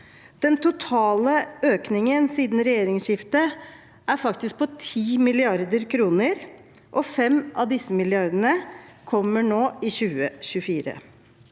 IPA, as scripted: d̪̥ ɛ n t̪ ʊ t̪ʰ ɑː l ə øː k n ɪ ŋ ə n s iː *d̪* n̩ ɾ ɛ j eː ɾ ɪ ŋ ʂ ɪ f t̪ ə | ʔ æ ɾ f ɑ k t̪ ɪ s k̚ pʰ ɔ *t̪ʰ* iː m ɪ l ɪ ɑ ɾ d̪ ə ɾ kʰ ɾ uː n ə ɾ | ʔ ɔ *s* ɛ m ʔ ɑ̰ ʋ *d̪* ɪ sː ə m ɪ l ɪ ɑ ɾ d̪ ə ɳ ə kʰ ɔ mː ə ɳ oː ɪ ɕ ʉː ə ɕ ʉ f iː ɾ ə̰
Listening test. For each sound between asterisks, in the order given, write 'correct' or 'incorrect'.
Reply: correct, correct, incorrect: f, correct

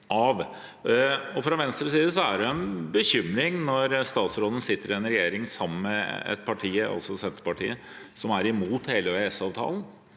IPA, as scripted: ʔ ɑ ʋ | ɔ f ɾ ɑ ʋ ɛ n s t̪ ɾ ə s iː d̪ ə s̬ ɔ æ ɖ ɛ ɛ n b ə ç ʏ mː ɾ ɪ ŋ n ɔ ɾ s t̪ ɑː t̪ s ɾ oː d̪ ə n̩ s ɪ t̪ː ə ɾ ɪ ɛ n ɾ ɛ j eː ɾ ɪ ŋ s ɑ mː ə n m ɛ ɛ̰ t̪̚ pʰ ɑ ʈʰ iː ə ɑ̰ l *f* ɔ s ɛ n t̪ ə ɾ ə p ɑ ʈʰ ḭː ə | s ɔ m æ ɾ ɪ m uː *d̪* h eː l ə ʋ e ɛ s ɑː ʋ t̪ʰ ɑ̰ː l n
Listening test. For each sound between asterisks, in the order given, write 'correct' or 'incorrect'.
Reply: incorrect: s, incorrect: t̪

